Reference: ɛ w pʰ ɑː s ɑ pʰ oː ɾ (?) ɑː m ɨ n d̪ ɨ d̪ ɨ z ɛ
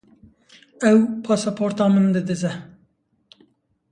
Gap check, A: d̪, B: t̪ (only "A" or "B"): B